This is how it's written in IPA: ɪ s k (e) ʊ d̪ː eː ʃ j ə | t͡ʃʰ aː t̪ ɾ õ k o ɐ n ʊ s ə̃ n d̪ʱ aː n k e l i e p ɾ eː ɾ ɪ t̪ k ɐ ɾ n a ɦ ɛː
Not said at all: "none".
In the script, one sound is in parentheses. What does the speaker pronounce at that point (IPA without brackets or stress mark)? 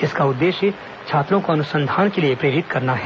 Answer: a